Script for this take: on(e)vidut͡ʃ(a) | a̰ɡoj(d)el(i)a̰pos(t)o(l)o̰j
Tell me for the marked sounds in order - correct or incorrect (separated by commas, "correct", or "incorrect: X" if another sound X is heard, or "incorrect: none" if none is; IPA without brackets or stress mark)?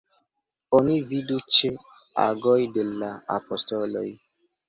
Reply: incorrect: i, incorrect: e, correct, incorrect: a, correct, correct